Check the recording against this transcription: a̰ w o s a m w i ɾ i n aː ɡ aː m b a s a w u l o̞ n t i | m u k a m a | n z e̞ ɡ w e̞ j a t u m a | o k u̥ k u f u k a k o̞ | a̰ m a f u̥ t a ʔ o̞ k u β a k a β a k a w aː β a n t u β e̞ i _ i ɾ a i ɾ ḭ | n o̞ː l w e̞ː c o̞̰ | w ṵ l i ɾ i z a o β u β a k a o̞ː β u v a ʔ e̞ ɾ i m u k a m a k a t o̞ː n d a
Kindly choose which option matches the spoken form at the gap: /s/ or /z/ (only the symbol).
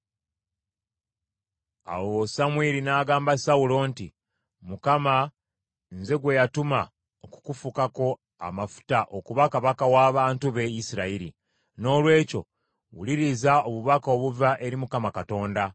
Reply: s